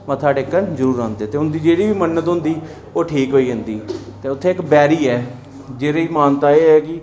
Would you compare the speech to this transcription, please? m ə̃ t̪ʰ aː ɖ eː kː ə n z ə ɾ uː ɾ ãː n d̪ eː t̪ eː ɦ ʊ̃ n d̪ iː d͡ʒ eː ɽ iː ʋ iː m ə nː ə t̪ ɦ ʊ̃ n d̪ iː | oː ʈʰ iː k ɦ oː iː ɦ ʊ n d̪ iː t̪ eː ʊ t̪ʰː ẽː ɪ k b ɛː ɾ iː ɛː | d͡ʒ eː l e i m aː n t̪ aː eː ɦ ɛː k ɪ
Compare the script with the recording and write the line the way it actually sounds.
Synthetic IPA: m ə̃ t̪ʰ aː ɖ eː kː ə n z ə ɾ uː ɾ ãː n d̪ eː t̪ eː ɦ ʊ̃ n d̪ iː d͡ʒ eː ɽ iː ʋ iː m ə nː ə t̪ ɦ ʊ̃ n d̪ iː | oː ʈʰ iː k ɦ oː iː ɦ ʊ n d̪ iː t̪ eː ʊ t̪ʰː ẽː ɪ k b ɛː ɾ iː ɛː | d͡ʒ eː ɾ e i m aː n t̪ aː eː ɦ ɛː k ɪ